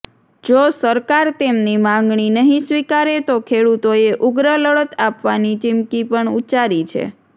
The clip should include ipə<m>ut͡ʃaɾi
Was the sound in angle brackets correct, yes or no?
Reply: no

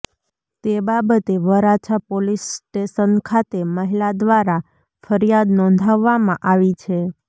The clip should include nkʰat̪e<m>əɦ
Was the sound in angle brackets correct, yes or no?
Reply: yes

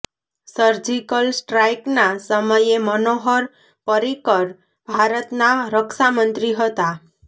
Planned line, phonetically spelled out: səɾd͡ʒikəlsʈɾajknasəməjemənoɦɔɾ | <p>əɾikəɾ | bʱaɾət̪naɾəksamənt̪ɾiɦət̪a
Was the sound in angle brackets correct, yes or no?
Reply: yes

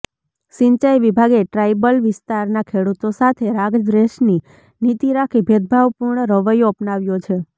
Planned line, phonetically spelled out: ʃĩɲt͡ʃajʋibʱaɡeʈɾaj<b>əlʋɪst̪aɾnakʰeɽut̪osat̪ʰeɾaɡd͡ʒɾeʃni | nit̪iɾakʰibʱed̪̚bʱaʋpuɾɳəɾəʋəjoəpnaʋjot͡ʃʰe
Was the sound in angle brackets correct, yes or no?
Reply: yes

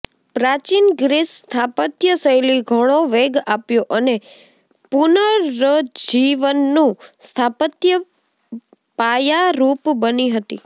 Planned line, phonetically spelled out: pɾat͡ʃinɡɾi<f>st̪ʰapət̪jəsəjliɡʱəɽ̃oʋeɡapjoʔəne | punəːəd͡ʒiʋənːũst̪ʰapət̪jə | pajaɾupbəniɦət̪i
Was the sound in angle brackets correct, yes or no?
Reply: no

